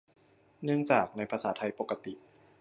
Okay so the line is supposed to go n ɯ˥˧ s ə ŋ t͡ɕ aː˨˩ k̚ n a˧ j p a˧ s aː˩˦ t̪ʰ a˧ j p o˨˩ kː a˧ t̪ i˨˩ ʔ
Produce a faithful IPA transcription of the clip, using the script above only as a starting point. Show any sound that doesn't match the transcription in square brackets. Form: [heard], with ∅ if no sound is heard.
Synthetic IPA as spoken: n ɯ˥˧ [∅] ə ŋ t͡ɕ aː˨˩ k̚ n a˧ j [pʰ] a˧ s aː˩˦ t̪ʰ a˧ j p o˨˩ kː a˧ t̪ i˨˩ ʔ